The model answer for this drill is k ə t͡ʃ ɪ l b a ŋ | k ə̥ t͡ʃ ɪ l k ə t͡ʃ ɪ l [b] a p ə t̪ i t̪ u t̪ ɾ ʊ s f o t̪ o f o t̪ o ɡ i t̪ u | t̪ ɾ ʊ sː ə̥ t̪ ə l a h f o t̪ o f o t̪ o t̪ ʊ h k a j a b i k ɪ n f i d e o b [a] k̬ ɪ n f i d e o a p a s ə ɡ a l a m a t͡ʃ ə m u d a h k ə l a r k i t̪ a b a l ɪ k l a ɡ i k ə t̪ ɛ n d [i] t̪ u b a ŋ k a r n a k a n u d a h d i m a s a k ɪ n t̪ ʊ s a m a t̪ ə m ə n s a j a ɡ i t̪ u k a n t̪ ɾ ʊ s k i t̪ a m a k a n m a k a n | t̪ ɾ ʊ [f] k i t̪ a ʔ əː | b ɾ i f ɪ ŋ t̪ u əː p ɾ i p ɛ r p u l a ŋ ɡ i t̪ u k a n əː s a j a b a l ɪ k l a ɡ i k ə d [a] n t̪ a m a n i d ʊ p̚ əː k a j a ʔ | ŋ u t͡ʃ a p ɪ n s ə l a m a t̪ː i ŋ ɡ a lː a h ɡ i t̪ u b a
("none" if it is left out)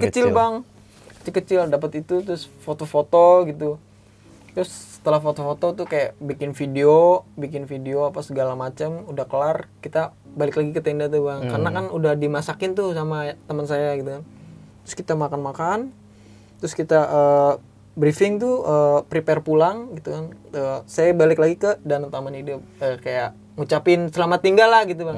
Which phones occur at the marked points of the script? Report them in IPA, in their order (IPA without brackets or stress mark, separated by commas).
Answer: d, i, a, s, a